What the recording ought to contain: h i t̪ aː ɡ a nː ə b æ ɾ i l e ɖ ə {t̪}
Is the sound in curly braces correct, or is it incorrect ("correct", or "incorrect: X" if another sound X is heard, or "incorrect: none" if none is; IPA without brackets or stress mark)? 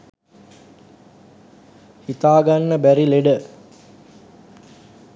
incorrect: none